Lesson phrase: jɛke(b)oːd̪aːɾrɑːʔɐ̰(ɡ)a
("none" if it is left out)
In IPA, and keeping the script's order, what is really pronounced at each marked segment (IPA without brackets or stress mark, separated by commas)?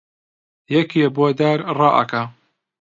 b, k